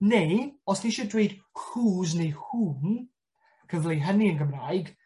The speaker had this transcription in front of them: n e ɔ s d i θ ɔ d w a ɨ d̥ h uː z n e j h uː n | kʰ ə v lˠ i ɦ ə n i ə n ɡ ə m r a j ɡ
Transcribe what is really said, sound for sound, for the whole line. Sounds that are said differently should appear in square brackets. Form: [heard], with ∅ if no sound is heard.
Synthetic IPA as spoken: n e ɔ s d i [ʃ] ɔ d w [e] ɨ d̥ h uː z n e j h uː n | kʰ ə v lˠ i ɦ ə n i ə n ɡ ə m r a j ɡ